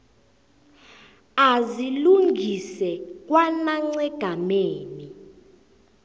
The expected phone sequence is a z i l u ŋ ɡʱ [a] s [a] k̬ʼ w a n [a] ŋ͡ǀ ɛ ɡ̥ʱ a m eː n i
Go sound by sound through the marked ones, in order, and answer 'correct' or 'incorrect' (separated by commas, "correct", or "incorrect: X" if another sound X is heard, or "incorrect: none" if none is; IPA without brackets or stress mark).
incorrect: i, incorrect: ɛ, correct